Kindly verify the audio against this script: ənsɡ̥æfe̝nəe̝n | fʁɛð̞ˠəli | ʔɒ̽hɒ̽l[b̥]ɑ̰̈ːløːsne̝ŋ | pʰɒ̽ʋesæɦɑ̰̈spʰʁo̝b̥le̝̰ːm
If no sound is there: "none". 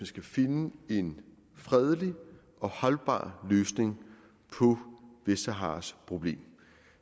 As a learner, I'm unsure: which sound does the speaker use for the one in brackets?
b̥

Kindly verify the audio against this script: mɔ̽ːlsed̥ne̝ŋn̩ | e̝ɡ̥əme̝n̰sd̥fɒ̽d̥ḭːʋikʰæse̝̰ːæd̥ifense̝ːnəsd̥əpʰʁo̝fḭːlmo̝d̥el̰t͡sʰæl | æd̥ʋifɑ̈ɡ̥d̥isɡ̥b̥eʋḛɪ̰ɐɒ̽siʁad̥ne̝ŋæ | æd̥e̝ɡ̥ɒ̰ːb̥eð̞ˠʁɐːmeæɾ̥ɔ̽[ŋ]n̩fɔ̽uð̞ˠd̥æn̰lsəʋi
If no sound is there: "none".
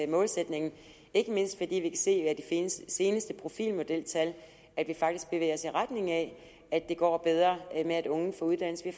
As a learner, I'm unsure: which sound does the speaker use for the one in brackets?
ŋ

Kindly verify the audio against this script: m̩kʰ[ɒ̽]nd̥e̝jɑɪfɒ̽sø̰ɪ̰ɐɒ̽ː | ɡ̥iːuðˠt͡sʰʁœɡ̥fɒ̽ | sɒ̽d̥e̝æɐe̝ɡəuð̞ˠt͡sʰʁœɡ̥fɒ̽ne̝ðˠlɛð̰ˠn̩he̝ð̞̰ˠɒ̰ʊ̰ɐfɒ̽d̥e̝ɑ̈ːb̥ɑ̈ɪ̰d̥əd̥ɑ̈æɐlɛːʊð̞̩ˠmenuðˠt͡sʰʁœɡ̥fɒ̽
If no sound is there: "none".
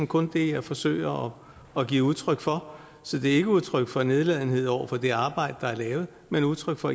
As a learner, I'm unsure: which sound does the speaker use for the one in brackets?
ɔ̽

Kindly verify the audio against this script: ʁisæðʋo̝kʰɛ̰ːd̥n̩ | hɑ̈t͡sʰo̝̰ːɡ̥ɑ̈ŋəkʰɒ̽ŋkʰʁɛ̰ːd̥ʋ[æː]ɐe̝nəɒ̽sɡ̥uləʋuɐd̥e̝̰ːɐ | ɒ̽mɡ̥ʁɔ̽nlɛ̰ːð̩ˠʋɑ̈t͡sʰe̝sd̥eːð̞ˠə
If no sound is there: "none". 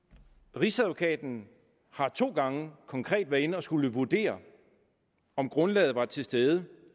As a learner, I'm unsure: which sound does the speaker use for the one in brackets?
æ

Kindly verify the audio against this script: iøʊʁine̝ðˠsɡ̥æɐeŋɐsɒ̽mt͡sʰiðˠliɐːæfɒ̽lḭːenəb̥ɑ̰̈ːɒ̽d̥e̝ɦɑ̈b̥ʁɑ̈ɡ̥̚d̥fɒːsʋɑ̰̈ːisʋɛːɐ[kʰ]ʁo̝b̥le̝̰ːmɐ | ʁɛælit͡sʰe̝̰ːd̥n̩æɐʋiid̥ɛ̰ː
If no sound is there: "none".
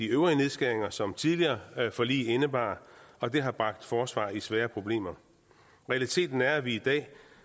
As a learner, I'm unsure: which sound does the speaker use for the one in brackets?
pʰ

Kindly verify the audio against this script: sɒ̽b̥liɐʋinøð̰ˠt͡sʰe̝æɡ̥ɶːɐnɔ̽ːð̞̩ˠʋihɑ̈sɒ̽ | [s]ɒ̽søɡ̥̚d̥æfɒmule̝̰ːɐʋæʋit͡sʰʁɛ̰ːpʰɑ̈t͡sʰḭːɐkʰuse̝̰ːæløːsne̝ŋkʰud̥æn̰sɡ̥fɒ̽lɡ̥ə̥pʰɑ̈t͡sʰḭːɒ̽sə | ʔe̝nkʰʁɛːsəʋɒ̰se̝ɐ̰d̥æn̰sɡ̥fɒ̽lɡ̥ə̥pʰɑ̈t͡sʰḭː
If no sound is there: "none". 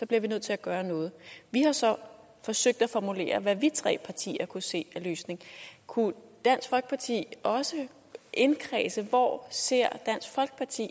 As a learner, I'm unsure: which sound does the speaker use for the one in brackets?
f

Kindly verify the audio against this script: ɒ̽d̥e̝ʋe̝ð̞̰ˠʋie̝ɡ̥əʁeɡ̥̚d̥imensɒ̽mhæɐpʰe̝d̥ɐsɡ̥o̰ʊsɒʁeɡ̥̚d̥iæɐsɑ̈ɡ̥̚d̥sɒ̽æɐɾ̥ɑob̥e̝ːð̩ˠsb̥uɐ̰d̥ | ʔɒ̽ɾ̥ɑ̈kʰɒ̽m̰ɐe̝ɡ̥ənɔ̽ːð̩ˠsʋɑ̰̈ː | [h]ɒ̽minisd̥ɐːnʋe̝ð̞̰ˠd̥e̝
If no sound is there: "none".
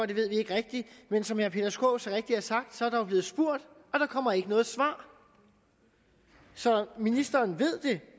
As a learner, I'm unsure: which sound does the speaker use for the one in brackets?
s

